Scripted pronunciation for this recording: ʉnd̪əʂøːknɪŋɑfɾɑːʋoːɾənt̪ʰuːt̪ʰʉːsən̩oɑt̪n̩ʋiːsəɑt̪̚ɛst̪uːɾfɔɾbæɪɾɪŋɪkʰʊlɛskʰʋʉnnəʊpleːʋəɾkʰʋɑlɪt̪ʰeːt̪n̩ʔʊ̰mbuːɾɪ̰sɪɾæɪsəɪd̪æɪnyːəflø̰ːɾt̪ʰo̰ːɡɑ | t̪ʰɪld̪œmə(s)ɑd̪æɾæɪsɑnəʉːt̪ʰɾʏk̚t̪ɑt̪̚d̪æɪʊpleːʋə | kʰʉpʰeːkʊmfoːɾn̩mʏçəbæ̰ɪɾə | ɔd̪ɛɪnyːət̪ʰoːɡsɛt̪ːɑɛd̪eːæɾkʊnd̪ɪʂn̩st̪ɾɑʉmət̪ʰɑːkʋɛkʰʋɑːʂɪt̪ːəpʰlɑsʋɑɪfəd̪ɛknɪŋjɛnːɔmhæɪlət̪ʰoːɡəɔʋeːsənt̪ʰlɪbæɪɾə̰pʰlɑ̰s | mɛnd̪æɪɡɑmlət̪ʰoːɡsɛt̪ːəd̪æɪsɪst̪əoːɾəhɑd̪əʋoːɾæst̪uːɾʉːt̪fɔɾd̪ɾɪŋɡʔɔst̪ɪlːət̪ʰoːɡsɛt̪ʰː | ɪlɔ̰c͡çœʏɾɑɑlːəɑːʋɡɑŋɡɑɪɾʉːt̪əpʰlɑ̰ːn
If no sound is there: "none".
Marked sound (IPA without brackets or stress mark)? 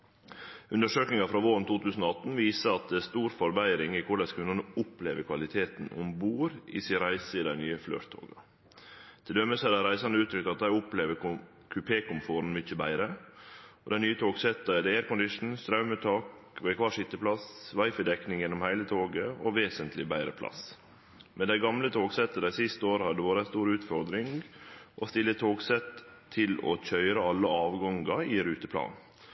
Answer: s